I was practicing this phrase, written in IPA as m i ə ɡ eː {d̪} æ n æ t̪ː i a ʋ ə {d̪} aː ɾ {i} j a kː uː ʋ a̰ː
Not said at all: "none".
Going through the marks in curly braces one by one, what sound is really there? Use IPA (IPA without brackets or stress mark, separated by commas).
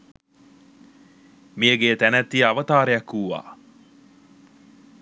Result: t̪, t̪, e